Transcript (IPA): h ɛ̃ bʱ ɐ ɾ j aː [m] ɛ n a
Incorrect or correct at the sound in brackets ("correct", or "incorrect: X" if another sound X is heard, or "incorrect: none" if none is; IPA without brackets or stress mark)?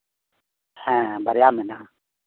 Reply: correct